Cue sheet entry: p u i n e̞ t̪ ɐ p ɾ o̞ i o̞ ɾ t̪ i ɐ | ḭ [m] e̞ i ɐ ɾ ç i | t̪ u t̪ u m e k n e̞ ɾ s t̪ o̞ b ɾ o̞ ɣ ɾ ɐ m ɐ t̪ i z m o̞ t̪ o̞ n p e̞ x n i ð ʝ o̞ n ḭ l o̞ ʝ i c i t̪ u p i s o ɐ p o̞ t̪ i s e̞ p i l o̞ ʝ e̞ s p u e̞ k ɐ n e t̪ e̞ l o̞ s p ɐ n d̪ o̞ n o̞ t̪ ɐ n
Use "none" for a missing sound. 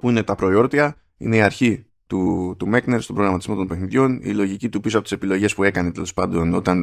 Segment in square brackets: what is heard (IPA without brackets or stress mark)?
n